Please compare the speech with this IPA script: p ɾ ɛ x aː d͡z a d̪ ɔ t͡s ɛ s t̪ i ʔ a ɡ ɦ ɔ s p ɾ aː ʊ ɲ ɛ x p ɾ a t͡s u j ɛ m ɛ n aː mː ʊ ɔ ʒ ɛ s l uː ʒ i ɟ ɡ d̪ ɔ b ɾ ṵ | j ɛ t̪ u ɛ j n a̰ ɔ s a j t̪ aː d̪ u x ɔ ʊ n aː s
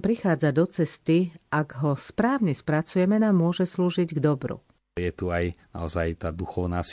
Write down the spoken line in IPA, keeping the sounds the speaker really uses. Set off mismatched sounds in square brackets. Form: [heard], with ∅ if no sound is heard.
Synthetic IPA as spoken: p ɾ [i] x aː d͡z a d̪ ɔ t͡s ɛ s t̪ i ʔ a ɡ ɦ ɔ s p ɾ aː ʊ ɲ ɛ [s] p ɾ a t͡s u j ɛ m ɛ n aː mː ʊ ɔ ʒ ɛ s l uː ʒ i ɟ ɡ d̪ ɔ b ɾ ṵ | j ɛ t̪ u [a] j n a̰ ɔ [z] a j t̪ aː d̪ u x ɔ ʊ n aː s